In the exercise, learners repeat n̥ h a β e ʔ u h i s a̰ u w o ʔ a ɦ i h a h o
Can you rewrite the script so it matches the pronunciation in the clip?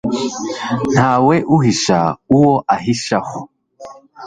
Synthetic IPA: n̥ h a w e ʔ u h i ʃ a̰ u w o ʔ a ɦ i ʃ a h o